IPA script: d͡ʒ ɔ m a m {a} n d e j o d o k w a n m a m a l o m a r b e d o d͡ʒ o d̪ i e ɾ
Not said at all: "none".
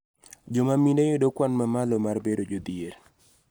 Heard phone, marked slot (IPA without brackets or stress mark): i